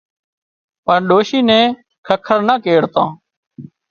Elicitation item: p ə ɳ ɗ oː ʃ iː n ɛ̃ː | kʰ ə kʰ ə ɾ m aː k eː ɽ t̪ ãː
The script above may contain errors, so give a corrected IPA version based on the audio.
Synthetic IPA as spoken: p ə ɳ ɗ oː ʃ iː n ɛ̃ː | kʰ ə kʰ ə ɾ n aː k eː ɽ t̪ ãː